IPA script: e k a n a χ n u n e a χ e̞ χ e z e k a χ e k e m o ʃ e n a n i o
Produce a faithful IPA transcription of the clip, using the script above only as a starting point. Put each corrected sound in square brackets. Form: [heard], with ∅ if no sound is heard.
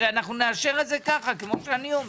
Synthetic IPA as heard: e [∅] a n a χ n u n e a [ʃ] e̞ [ʁ] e z e k a χ [a] k e m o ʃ e [∅] a n i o